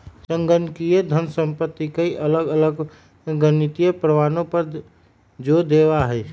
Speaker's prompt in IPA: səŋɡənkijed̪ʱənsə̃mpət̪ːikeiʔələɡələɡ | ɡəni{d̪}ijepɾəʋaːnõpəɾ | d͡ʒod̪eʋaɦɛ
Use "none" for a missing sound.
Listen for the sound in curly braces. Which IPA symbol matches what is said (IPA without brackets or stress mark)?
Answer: t̪